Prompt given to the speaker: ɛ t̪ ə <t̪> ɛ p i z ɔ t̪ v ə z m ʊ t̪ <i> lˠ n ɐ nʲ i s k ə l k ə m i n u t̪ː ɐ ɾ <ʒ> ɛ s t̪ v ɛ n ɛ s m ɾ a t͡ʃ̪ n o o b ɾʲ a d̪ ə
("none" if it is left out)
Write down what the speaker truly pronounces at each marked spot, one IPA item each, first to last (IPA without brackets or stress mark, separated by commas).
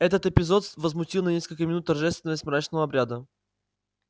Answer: t̪, i, ʒ